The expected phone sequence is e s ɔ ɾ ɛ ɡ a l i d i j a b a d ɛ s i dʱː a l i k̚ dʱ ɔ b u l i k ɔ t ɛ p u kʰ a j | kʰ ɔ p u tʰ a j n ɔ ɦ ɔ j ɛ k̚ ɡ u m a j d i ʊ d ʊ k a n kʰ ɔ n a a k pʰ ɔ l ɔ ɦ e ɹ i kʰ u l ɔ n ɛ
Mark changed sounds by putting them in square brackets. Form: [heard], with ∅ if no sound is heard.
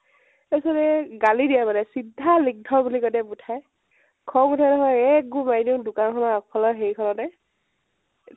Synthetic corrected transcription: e s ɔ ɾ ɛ ɡ a l i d i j a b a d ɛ s i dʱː a l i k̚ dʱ ɔ b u l i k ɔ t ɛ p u [tʰ] a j | kʰ ɔ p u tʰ a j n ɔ ɦ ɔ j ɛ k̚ ɡ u m a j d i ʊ d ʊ k a n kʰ ɔ n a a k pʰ ɔ l ɔ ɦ e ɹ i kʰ [ɔ] l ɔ n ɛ